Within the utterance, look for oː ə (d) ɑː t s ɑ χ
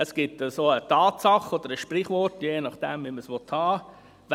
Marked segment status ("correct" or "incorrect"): incorrect